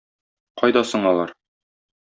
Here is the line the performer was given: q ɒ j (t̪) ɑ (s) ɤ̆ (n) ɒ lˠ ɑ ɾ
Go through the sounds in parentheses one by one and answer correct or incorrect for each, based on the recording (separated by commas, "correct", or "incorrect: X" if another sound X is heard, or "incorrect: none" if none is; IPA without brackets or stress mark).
incorrect: d̪, correct, incorrect: ɴ